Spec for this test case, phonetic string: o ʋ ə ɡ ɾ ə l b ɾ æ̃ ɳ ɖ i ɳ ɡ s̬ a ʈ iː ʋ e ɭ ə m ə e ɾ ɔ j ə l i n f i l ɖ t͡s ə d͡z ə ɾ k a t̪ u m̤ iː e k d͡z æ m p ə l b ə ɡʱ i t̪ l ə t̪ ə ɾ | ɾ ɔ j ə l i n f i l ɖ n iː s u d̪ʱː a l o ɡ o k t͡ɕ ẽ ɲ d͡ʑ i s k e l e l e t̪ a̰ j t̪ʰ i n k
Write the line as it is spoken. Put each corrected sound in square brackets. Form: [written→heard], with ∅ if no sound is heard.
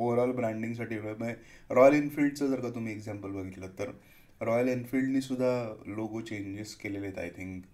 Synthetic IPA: o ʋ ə [ɡ→∅] ɾ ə l b ɾ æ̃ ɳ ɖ i [ɳ→ŋ] ɡ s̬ a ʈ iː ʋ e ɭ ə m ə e ɾ ɔ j ə l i n f i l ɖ t͡s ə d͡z ə ɾ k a t̪ u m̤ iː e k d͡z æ m p ə l b ə ɡʱ i t̪ l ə t̪ ə ɾ | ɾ ɔ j ə l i n f i l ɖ n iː s u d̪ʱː a l o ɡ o [k→∅] t͡ɕ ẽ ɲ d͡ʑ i s k e l e l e t̪ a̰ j t̪ʰ i [n→ŋ] k